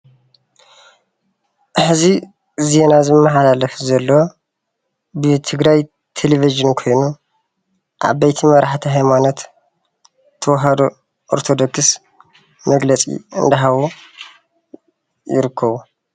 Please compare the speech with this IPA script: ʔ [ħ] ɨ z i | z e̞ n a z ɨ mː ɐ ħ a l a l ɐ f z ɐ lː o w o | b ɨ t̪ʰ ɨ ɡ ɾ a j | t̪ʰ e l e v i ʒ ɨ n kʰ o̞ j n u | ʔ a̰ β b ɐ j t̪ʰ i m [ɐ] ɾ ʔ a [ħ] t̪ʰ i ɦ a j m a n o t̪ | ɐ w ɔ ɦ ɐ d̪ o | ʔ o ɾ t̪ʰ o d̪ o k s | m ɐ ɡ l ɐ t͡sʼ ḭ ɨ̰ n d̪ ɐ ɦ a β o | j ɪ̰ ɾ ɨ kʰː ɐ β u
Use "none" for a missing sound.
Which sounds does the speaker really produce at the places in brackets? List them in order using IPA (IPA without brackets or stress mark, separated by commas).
ħ, ɐ, ħ